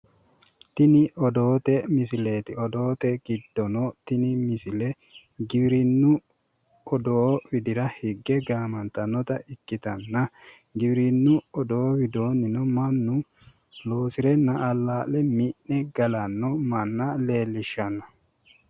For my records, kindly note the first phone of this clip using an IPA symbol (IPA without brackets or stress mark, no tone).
t̪